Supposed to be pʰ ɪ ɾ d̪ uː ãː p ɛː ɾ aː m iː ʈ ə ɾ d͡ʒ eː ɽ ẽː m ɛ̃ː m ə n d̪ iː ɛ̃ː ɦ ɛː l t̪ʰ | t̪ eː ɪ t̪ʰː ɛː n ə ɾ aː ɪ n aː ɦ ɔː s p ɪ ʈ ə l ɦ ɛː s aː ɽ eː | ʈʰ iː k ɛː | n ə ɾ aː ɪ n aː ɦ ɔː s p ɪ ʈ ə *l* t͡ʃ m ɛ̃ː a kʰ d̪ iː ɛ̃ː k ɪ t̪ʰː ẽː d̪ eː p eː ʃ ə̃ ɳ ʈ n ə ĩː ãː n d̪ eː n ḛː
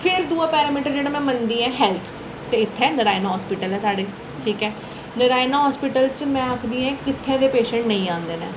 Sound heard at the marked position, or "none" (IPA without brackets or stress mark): l